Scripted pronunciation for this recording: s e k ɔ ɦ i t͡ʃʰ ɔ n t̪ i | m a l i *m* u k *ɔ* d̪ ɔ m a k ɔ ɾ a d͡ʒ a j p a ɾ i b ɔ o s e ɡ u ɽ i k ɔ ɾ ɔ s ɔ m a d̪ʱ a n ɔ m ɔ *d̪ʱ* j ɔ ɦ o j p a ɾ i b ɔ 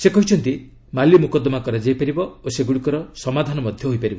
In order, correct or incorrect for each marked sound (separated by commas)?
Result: correct, correct, correct